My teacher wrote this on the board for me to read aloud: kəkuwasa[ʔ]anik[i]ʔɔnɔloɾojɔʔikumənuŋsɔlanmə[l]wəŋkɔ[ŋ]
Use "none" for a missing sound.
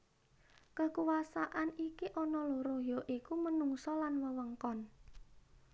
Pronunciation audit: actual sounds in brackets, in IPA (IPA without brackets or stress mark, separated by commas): ʔ, i, none, n